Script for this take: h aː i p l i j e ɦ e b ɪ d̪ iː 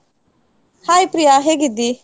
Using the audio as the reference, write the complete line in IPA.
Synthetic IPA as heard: h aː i p ɾ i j a ɦ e ɡ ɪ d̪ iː